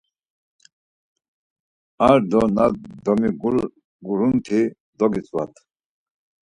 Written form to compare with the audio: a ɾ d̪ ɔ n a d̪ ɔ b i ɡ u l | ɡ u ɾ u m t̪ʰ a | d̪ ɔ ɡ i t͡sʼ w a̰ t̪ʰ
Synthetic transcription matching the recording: a ɾ d̪ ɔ n a d̪ ɔ m i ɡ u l | ɡ u ɾ u n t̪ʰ i | d̪ ɔ ɡ i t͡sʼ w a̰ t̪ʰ